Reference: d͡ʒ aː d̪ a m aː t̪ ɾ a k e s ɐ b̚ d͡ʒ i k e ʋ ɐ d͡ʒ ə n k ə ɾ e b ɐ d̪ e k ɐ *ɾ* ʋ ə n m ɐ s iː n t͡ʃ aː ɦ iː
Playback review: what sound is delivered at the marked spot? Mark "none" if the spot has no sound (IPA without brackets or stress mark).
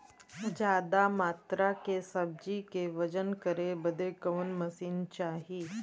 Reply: none